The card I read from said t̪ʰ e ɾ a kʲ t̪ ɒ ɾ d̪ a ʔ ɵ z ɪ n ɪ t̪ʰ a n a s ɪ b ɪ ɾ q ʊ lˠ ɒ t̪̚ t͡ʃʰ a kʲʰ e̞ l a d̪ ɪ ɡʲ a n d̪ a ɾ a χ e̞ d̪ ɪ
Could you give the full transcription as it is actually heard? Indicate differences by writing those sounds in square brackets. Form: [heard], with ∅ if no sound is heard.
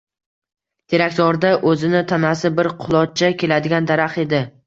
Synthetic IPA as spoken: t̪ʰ e ɾ a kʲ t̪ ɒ ɾ d̪ a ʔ ɵ z ɪ n ɪ t̪ʰ a n a s ɪ b ɪ ɾ [qʰ] ʊ lˠ ɒ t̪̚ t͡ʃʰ a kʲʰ e̞ l a d̪ ɪ ɡʲ a n d̪ a ɾ a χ e̞ d̪ ɪ